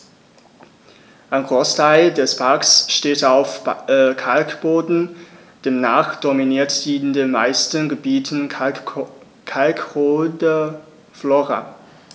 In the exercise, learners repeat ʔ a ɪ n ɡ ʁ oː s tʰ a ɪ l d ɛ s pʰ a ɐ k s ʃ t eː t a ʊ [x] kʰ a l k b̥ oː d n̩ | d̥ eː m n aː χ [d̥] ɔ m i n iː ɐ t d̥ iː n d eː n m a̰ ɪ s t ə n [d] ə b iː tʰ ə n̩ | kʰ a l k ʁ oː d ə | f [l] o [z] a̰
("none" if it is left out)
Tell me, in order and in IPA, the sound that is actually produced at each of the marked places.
f, d̥, ɡ, l, ʁ

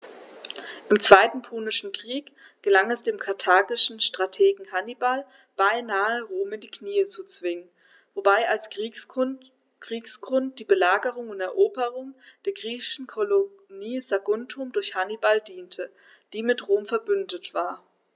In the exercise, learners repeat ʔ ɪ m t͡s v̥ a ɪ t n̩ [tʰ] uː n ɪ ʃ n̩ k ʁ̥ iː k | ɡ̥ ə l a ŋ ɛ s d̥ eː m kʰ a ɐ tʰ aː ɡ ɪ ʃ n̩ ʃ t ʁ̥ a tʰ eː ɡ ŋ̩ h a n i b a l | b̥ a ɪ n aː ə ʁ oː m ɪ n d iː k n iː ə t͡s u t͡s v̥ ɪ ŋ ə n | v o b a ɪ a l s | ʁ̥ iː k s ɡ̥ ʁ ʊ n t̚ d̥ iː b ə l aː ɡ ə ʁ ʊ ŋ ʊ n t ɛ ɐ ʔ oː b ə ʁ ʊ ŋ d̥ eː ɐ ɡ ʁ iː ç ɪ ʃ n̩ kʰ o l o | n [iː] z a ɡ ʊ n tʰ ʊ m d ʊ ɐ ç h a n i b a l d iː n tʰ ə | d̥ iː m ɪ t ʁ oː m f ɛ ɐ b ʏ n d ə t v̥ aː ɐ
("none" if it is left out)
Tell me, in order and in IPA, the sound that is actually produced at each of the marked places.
pʰ, iː

